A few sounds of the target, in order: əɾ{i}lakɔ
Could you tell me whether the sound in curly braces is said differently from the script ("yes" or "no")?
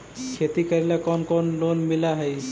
no